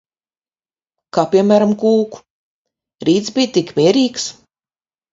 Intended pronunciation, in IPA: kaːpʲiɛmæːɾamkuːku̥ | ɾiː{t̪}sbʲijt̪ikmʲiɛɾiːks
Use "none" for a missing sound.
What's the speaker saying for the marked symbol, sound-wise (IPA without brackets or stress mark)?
t̪